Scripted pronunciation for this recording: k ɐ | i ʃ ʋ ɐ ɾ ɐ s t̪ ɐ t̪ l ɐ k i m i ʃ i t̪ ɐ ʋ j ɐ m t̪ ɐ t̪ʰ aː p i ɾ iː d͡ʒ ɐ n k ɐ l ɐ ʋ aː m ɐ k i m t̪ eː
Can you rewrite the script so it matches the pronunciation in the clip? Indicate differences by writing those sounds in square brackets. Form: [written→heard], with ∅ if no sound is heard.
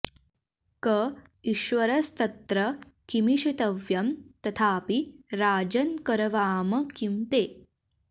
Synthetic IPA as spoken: k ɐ | i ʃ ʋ ɐ ɾ ɐ s t̪ ɐ t̪ [l→ɾ] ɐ k i m i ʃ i t̪ ɐ ʋ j ɐ m t̪ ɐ t̪ʰ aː p i ɾ [iː→aː] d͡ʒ ɐ n k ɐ [l→ɾ] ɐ ʋ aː m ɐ k i m t̪ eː